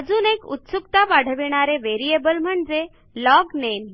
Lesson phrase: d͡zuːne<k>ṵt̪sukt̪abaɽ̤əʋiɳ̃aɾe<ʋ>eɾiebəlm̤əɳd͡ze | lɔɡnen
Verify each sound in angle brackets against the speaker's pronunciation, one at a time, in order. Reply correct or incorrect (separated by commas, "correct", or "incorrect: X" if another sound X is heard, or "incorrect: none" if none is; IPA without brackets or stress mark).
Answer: correct, correct